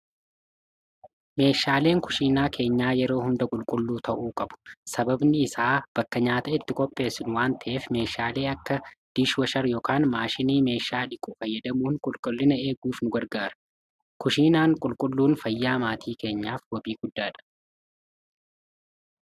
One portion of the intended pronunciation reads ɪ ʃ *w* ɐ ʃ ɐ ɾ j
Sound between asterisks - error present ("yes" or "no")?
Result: no